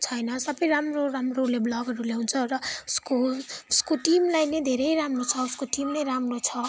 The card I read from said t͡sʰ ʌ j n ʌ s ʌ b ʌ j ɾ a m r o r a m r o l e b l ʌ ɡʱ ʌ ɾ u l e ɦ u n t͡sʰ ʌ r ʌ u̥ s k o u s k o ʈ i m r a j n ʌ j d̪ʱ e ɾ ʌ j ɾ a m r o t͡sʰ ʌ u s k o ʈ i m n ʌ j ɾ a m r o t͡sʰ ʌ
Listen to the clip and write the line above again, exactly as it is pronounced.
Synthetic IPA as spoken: t͡sʰ ʌ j n ʌ s ʌ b ʌ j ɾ a m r o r a m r o l e b l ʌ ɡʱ ʌ ɾ u l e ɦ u n t͡sʰ ʌ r ʌ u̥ s k o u s k o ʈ i m l a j n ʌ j d̪ʱ e ɾ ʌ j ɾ a m r o t͡sʰ ʌ u s k o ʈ i m n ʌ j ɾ a m r o t͡sʰ ʌ